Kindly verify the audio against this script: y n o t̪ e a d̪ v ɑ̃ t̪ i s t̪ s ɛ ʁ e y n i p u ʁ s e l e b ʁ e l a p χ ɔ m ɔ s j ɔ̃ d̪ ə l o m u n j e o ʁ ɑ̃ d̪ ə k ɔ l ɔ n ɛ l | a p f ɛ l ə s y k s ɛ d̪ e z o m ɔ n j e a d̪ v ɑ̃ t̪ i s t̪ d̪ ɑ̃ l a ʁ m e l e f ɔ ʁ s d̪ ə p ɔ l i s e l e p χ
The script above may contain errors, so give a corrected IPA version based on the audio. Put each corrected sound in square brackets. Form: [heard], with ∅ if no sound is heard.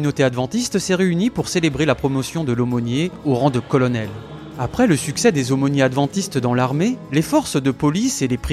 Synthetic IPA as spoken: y n o t̪ e a d̪ v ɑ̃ t̪ i s t̪ s ɛ ʁ e y n i p u ʁ s e l e b ʁ e l a p χ ɔ m ɔ s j ɔ̃ d̪ ə l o m [ɔ] n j e o ʁ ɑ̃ d̪ ə k ɔ l ɔ n ɛ l | a p [χ] ɛ l ə s y k s ɛ d̪ e z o m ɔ n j e a d̪ v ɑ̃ t̪ i s t̪ d̪ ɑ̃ l a ʁ m e l e f ɔ ʁ s d̪ ə p ɔ l i s e l e p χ